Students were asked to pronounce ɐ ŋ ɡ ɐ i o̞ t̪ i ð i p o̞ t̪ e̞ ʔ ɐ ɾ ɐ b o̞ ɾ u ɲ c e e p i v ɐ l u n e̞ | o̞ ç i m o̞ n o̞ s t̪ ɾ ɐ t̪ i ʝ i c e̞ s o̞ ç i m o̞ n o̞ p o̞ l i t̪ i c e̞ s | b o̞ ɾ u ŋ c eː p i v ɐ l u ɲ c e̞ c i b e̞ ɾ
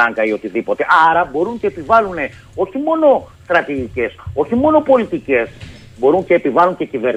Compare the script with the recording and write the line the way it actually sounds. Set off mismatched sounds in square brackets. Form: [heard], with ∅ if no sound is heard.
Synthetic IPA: ɐ ŋ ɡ ɐ i o̞ t̪ i ð i p o̞ t̪ e̞ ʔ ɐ ɾ ɐ b o̞ ɾ u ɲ c e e p i v ɐ l u n e̞ | o̞ ç i m o̞ n o̞ s t̪ ɾ ɐ t̪ i ʝ i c e̞ s o̞ ç i m o̞ n o̞ p o̞ l i t̪ i c e̞ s | b o̞ ɾ u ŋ c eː p i v ɐ l u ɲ c e̞ c i [v] e̞ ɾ